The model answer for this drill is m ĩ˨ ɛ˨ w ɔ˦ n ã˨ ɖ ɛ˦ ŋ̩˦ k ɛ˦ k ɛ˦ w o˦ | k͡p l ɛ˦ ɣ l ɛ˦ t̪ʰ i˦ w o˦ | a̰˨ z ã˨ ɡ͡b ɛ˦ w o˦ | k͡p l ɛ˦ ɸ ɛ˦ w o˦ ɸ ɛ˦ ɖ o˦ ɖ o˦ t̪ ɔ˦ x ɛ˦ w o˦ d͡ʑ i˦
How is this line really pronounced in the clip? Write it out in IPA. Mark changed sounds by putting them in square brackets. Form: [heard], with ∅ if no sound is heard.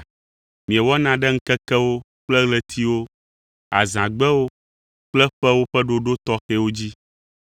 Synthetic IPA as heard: m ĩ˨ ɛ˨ w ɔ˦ n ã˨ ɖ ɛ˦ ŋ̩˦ k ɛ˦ k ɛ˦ w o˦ | k͡p l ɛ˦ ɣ l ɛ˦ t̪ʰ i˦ w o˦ | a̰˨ z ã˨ ɡ͡b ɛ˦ w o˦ | k͡p l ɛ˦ ɸ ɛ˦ w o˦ ɸ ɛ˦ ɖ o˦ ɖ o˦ t̪ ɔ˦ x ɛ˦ w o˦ d͡ʑ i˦